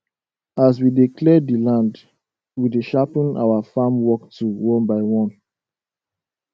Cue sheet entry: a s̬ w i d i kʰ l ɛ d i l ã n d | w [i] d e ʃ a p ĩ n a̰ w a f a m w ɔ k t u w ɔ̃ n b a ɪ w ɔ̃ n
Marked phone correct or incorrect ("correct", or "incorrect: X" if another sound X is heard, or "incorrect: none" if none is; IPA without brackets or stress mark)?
correct